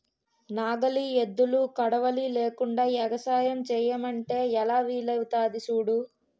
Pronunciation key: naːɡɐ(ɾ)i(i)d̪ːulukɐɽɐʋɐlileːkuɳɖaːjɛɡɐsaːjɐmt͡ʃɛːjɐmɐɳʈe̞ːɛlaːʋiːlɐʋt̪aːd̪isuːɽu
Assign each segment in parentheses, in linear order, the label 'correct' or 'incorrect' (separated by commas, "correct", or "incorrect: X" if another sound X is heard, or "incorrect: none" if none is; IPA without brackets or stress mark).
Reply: incorrect: l, incorrect: e